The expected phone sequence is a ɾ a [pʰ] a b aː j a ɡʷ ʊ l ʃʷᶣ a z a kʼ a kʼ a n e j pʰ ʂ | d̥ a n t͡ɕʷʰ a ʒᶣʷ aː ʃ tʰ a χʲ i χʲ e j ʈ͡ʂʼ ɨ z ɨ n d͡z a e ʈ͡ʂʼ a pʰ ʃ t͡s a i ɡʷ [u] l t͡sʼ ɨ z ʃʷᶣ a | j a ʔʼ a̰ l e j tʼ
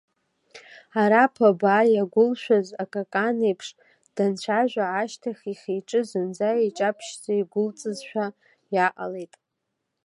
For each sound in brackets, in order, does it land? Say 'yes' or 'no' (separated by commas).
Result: yes, no